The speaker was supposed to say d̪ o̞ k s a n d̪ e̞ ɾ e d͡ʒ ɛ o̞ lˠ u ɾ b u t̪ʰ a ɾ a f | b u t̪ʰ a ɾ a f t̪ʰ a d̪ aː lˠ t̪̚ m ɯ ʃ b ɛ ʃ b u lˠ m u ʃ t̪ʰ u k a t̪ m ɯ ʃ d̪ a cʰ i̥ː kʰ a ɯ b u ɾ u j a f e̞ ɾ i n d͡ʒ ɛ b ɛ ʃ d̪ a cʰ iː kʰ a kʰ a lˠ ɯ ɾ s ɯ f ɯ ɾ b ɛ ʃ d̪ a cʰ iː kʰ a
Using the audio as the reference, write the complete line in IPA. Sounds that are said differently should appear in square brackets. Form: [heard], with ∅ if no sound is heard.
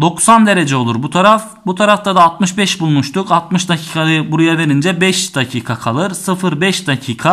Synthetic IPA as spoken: d̪ o̞ k s a n d̪ e̞ ɾ e d͡ʒ ɛ o̞ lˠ u ɾ b u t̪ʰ a ɾ a f | b u t̪ʰ a ɾ a f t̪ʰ a d̪ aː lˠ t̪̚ m ɯ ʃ b ɛ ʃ b u lˠ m u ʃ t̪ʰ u k a t̪ m ɯ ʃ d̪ a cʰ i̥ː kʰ a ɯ b u ɾ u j a [v] e̞ ɾ i n d͡ʒ ɛ b ɛ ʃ d̪ a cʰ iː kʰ a kʰ a lˠ ɯ ɾ s ɯ f ɯ ɾ b ɛ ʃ d̪ a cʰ iː kʰ a

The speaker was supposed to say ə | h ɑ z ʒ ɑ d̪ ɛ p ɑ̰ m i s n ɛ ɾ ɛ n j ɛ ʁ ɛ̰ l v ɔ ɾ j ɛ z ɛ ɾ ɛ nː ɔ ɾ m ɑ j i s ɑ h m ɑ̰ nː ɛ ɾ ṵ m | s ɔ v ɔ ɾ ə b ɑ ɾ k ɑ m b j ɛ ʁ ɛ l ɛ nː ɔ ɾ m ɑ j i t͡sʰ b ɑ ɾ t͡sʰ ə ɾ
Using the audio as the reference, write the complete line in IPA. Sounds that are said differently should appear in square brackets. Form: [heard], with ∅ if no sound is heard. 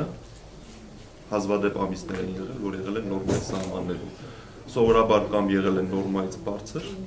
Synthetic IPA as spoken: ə | h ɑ z [v] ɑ d̪ ɛ p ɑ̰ m i s n ɛ ɾ ɛ n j ɛ ʁ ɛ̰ l v ɔ ɾ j ɛ [ʁ] ɛ [l] ɛ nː ɔ ɾ m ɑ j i s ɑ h m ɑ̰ nː ɛ ɾ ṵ m | s ɔ v ɔ ɾ [ɑ] b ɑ ɾ k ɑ m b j ɛ ʁ ɛ l ɛ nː ɔ ɾ m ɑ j i t͡sʰ b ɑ ɾ t͡sʰ ə ɾ

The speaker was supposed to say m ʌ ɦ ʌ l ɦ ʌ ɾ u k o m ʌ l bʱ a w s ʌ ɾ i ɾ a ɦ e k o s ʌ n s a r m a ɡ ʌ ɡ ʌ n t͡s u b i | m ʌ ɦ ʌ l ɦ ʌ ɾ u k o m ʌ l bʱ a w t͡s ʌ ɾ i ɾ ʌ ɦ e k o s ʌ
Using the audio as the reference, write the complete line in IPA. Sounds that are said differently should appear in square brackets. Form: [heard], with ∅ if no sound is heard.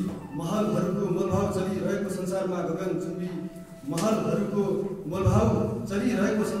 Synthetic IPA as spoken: m ʌ ɦ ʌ l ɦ ʌ ɾ u k o m ʌ l bʱ a w [t͡s] ʌ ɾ i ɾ [ʌ] ɦ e k o s ʌ n s a r m a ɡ ʌ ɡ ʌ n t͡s u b i | m ʌ ɦ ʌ l ɦ ʌ ɾ u k o m ʌ l bʱ a w t͡s ʌ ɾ i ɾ ʌ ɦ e k o s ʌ

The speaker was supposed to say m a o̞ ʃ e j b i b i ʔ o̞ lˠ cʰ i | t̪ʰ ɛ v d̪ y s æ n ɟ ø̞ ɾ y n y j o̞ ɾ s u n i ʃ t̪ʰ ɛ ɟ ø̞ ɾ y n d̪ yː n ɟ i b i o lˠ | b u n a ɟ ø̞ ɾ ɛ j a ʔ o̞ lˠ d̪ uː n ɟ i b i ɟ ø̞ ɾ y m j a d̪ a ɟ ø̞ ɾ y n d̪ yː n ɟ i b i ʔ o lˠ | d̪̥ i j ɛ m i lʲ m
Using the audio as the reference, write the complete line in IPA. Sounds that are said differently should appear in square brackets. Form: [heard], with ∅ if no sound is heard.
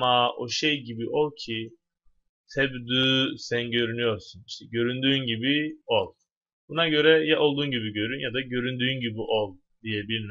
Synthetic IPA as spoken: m a o̞ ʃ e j [ɟ] i b i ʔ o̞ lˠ cʰ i | t̪ʰ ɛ [b] d̪ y s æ n ɟ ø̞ ɾ y n y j o̞ ɾ s u n i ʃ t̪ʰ ɛ ɟ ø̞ ɾ y n d̪ yː n ɟ i b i o lˠ | b u n a ɟ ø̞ ɾ ɛ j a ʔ o̞ lˠ d̪ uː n ɟ i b i ɟ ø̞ ɾ y [n] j a d̪ a ɟ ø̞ ɾ y n d̪ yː n ɟ i b i ʔ o lˠ | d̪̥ i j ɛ [b] i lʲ m

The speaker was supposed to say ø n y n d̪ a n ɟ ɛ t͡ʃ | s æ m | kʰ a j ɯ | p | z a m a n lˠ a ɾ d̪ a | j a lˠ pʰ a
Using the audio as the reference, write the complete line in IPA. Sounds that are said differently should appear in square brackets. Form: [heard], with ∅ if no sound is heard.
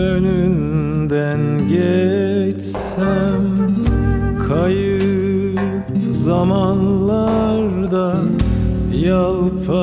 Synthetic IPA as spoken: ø n y n d̪ [æ] n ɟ ɛ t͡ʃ | s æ m | kʰ a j ɯ | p | z a m a n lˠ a ɾ d̪ a | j a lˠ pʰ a

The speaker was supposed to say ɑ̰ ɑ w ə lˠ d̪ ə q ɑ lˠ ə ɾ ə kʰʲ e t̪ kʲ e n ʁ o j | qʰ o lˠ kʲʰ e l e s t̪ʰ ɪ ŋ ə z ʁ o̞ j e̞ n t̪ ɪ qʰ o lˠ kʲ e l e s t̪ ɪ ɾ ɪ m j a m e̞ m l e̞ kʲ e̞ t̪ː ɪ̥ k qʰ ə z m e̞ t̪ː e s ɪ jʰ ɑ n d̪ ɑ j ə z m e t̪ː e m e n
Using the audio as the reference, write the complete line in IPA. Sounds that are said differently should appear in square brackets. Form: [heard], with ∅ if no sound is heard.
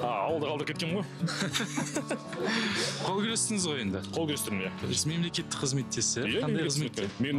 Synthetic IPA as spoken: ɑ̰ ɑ w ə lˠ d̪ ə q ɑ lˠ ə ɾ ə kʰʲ e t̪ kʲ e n ʁ o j | qʰ o lˠ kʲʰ e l e s [t̪] ɪ ŋ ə z ʁ o̞ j e̞ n [d̪] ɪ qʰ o lˠ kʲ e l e s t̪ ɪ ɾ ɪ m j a m e̞ m l e̞ kʲ e̞ t̪ː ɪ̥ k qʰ ə z m e̞ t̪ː e s ɪ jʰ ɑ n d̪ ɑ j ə z m e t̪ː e m e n

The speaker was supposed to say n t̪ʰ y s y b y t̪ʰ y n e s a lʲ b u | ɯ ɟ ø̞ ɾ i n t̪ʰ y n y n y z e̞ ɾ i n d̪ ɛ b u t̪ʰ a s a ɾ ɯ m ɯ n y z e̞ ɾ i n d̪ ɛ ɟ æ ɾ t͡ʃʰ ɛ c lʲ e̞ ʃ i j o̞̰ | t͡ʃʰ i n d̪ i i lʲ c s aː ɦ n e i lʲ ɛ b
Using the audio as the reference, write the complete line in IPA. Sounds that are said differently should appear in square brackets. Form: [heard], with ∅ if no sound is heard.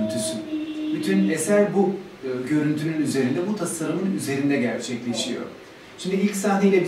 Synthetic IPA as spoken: n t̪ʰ y s y b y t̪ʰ y n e s [æ] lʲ b u | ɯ ɟ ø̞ ɾ [y] n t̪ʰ y n y n y z e̞ ɾ i n d̪ ɛ b u t̪ʰ a s a ɾ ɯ m ɯ n y z e̞ ɾ i n d̪ ɛ ɟ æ ɾ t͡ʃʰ ɛ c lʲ e̞ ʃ i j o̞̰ | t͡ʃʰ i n d̪ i i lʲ c s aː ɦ n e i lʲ ɛ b

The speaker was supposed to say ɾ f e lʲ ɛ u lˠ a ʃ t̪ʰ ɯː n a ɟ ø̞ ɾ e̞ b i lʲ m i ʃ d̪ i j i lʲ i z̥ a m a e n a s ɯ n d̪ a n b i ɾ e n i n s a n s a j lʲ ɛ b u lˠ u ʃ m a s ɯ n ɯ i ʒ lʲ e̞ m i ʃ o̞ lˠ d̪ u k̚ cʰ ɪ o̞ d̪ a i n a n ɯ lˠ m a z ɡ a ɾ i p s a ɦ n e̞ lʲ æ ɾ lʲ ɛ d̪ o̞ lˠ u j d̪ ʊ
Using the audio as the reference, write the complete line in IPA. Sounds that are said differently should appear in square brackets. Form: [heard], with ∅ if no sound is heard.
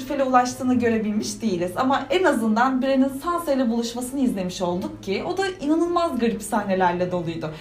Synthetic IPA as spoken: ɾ f e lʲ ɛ u lˠ a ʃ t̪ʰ ɯː n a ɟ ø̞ ɾ e̞ b i lʲ m i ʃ d̪ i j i lʲ i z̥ a m a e n a [z] ɯ n d̪ a n b i ɾ e n i n s a n s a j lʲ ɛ b u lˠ u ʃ m a s ɯ n ɯ i [z] lʲ e̞ m i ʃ o̞ lˠ d̪ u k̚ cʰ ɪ o̞ d̪ a i n a n ɯ lˠ m a z ɡ a ɾ i p s a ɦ n e̞ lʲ æ ɾ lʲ ɛ d̪ o̞ lˠ u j d̪ ʊ

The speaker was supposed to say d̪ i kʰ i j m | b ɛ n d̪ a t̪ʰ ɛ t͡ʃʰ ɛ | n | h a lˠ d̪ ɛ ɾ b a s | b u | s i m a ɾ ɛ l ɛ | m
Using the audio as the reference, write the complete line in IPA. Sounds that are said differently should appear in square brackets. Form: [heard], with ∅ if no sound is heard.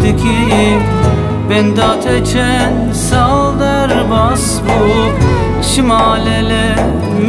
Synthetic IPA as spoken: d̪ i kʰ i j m | b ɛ n d̪ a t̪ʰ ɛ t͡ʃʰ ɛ | n | [s] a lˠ d̪ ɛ ɾ b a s | b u | [ʃ] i m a [l] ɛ l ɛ | m

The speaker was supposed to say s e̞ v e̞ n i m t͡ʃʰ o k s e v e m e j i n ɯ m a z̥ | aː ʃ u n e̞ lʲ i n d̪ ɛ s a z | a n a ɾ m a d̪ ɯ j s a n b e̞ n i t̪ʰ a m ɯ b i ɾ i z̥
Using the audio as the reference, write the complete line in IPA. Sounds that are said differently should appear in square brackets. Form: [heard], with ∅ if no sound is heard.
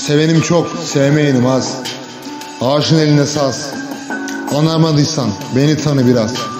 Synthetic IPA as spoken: s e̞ v e̞ n i m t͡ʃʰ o k s e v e m e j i n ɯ m a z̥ | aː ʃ [ɯ] n e̞ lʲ i n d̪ ɛ s a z | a n a ɾ m a d̪ ɯ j s a n b e̞ n i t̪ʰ a [n] ɯ b i ɾ [a] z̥

